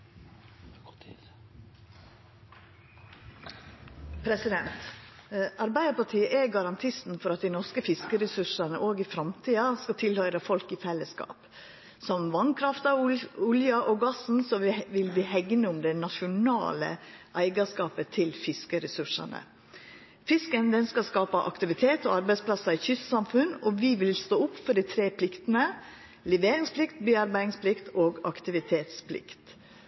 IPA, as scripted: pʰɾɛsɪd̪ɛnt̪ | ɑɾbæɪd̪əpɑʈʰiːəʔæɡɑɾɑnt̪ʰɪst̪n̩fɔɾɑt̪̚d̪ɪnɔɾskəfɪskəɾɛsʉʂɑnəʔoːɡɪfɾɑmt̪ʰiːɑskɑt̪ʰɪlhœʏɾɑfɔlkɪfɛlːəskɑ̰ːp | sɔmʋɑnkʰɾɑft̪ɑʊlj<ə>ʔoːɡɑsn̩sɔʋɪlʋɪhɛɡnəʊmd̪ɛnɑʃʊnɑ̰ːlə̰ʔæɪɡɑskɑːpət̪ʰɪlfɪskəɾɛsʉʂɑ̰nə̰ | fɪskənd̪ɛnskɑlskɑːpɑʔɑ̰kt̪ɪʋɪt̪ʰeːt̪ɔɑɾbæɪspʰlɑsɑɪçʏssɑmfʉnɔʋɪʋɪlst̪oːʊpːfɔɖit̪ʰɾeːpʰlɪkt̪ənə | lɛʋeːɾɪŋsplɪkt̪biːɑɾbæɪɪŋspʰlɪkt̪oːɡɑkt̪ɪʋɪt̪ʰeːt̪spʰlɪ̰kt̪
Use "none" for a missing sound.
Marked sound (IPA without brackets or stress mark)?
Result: ɑ